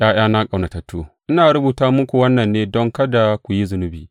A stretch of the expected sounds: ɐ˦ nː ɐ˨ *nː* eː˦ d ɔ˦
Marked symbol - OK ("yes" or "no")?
yes